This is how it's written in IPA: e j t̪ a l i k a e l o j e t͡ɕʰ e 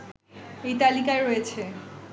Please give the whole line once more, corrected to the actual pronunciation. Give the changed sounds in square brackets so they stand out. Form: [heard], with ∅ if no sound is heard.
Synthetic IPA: e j t̪ a l i k a e [ɾ] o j e t͡ɕʰ e